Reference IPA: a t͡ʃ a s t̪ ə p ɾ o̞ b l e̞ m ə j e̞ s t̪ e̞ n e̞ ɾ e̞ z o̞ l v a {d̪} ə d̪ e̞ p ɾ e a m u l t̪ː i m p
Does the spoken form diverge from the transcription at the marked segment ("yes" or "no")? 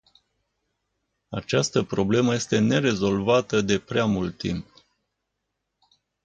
yes